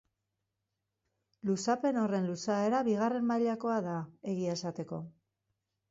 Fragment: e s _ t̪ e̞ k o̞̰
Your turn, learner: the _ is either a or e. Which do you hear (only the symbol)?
a